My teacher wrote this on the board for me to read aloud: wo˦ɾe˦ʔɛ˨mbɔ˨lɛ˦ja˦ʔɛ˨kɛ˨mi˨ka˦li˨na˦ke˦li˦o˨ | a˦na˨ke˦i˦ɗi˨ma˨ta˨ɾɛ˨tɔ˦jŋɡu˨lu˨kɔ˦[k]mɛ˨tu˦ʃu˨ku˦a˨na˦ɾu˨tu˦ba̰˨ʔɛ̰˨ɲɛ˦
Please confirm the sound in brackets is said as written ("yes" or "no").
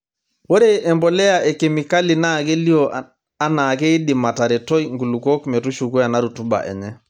yes